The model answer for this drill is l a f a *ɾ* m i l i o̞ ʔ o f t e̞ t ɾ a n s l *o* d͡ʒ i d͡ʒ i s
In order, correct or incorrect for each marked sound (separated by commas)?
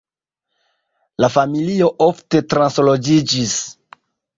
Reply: incorrect, correct